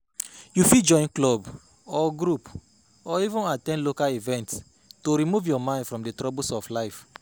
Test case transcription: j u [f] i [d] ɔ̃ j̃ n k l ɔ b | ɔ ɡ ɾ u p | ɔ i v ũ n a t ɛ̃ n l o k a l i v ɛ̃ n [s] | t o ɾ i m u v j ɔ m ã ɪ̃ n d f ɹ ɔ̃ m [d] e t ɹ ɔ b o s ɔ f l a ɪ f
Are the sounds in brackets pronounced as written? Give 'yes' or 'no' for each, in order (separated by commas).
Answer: yes, no, no, yes